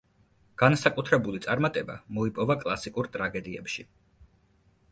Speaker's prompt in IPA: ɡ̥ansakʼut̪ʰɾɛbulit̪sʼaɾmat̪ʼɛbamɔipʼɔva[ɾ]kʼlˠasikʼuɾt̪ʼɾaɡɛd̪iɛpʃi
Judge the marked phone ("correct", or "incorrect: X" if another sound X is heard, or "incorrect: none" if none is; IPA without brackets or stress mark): incorrect: none